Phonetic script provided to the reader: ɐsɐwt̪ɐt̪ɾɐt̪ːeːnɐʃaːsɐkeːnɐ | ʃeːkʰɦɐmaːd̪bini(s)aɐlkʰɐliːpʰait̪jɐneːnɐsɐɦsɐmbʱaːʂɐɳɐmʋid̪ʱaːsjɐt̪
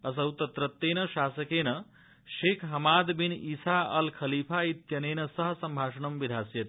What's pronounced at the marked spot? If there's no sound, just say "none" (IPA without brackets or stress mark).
s